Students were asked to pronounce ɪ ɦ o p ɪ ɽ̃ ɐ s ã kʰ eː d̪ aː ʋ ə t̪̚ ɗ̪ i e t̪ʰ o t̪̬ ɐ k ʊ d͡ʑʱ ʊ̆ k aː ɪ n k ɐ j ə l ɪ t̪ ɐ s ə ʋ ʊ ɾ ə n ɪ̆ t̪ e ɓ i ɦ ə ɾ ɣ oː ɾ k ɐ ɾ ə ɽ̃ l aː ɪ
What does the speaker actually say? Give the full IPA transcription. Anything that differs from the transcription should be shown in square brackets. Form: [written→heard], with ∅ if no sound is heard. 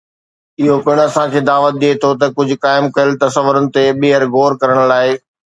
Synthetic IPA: ɪ ɦ o p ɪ ɽ̃ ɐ s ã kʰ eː d̪ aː ʋ ə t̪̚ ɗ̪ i e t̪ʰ o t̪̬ ɐ k ʊ d͡ʑʱ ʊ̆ k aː ɪ [n→m] k ɐ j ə l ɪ t̪ ɐ s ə ʋ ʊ ɾ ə n ɪ̆ t̪ e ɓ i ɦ ə ɾ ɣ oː ɾ k ɐ ɾ ə ɽ̃ l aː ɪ